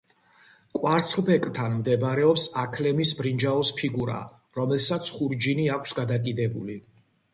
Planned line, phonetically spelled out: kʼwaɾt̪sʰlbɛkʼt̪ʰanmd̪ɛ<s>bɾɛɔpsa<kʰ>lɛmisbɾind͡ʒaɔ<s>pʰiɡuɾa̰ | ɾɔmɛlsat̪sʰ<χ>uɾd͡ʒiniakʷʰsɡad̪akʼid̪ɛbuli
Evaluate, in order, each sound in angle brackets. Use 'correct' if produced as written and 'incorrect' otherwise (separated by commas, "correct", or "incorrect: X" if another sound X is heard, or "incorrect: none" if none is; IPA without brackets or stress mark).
incorrect: none, correct, correct, correct